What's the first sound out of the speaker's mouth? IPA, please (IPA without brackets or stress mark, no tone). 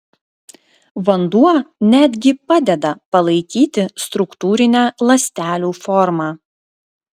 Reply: ʋ